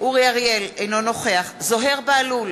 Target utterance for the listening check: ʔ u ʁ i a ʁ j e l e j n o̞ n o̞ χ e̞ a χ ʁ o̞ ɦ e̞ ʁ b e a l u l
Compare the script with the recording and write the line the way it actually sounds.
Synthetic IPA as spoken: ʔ u ʁ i a ʁ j e l e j n o̞ n o̞ χ e̞ a χ z o̞ ɦ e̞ ʁ b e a l u l